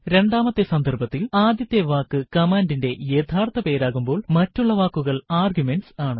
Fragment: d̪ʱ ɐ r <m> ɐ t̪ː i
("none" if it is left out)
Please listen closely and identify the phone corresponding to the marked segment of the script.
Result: b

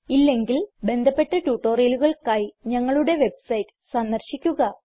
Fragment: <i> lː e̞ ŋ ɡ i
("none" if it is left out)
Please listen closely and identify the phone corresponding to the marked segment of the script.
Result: i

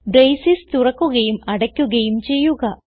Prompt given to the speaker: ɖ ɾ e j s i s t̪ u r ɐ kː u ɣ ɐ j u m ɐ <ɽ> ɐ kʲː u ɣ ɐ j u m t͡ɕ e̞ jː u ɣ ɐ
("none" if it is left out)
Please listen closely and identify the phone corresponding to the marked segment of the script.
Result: ɽ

